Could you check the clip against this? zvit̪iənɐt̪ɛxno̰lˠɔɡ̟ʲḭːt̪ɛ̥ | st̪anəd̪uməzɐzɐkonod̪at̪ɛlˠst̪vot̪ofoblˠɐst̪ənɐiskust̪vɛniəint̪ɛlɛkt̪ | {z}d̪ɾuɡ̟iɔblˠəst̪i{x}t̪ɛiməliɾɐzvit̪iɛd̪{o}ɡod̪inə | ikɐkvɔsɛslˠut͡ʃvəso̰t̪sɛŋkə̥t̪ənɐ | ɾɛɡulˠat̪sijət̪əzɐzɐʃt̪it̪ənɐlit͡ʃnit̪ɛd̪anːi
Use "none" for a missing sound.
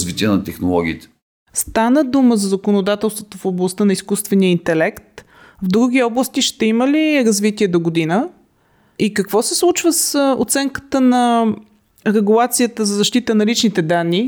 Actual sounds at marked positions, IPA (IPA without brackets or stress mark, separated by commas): v, ʃ, o